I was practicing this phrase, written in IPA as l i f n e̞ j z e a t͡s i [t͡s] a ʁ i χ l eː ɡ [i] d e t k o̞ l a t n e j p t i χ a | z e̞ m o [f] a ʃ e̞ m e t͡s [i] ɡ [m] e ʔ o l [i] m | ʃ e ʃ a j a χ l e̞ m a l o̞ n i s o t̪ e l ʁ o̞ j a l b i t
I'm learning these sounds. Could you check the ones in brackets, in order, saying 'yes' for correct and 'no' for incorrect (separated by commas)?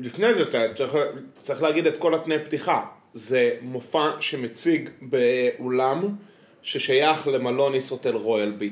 yes, yes, yes, yes, no, no